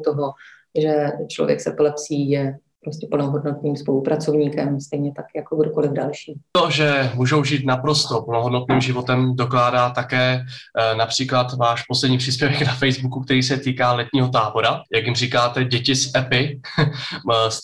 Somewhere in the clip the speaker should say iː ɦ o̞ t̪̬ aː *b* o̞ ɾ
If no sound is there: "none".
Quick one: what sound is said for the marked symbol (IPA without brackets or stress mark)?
b